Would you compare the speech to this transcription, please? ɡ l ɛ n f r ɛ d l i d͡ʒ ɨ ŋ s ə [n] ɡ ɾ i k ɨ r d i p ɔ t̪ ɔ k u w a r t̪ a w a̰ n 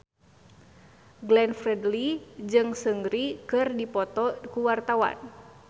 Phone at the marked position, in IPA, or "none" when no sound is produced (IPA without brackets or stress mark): ŋ